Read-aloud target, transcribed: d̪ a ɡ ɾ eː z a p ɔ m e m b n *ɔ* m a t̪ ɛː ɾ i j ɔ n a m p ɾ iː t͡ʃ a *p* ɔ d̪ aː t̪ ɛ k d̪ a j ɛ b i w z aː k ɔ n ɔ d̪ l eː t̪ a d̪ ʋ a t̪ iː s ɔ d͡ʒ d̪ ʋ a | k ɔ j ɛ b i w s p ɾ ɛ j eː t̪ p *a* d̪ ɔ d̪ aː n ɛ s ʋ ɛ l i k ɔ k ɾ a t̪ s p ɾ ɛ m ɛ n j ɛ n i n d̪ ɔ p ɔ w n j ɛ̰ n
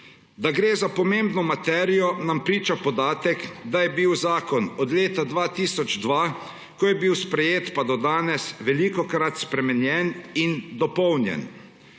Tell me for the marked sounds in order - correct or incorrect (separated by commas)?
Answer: correct, correct, correct